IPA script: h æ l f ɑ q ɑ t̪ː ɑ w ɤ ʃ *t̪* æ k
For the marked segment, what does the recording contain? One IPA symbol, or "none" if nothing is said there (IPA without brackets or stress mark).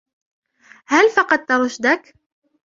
d̪